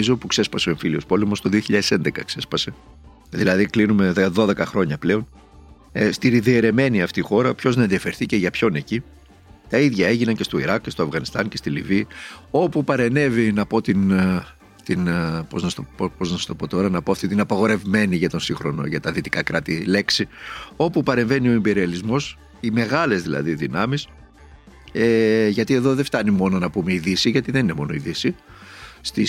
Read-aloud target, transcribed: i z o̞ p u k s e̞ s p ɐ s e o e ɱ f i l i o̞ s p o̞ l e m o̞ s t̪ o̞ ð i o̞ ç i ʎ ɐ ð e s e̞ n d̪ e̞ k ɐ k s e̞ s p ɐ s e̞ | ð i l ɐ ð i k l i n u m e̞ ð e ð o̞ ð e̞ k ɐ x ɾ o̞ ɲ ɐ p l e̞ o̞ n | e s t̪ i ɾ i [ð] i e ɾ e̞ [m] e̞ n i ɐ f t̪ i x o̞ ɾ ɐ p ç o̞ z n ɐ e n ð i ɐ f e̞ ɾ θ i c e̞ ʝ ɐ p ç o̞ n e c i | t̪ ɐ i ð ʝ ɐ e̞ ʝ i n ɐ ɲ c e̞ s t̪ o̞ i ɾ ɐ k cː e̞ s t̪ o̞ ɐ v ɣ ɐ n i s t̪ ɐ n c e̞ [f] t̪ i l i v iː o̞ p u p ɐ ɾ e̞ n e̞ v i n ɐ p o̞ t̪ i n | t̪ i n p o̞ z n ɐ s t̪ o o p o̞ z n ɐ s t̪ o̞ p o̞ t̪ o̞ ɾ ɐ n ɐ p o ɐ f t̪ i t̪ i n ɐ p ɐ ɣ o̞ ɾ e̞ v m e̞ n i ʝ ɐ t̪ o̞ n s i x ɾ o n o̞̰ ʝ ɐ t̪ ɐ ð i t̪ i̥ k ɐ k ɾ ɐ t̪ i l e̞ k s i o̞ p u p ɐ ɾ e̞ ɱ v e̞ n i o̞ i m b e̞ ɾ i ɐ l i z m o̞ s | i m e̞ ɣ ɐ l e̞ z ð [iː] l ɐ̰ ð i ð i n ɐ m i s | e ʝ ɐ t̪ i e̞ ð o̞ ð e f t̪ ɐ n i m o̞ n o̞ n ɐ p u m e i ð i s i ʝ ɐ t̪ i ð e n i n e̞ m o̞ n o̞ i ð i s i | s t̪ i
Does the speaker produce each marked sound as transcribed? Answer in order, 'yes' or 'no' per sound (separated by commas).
yes, yes, no, no